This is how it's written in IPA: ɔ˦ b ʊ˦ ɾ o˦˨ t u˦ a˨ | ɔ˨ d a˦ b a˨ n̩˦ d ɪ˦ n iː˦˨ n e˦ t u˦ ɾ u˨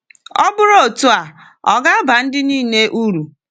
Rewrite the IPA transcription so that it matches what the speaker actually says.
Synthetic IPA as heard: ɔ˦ b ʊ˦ ɾ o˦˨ t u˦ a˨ | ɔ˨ ɡ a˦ b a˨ n̩˦ d ɪ˦ n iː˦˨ n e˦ ʔ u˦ ɾ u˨